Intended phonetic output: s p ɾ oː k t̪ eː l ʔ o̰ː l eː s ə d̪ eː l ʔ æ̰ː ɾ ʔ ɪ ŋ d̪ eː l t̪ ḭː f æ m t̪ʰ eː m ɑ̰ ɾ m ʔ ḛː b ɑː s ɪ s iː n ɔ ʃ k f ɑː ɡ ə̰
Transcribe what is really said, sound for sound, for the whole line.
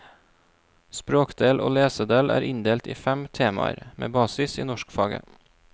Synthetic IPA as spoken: s p ɾ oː k d̪ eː l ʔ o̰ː l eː s ə d̪ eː l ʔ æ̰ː ɾ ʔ ɪ n d̪ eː l t̪ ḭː f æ m t̪ʰ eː m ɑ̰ ɾ m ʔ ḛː b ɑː s ɪ s iː n ɔ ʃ k f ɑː ɡ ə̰